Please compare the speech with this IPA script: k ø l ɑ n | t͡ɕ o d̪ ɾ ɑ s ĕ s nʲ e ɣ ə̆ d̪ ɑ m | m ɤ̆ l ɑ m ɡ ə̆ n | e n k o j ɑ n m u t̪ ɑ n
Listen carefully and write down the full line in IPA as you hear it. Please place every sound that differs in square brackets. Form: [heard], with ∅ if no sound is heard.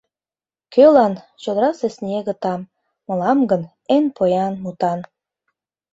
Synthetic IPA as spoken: k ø l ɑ n | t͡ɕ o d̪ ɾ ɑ s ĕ s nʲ e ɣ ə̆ [t̪] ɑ m | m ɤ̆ l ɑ m ɡ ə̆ n | e n [p] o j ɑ n m u t̪ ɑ n

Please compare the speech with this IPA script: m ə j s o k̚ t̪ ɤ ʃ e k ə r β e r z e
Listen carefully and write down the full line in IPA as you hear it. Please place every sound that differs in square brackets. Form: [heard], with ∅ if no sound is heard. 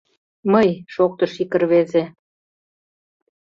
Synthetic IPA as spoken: m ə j [ʃ] o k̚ t̪ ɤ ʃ [i] k ə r β e [∅] z e

